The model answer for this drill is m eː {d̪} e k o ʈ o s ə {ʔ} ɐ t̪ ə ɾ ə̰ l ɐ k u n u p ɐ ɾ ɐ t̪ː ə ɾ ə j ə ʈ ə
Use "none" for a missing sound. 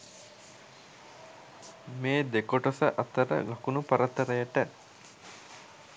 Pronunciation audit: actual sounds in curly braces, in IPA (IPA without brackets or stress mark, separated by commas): d̪, ʔ